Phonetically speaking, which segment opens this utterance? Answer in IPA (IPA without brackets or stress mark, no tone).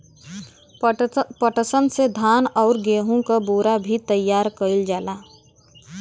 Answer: p